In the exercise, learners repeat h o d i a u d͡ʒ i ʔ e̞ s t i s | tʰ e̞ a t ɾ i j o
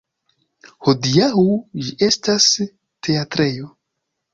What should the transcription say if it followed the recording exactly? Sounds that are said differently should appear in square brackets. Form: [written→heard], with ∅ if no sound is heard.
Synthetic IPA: h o d i a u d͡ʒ i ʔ e̞ s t [i→a] s | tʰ e̞ a t ɾ [i→e] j o